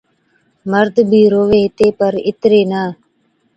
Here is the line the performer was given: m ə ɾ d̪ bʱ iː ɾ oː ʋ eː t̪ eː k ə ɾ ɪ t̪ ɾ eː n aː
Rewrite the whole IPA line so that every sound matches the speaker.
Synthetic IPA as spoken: m ə ɾ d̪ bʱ iː ɾ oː ʋ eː t̪ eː p ə ɾ ɪ t̪ ɾ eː n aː